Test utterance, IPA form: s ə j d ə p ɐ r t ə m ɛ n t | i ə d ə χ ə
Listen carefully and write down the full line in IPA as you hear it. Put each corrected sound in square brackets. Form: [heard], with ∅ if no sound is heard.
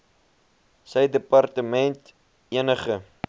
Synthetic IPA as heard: s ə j d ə p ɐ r t ə m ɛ n t | i ə [n] ə χ ə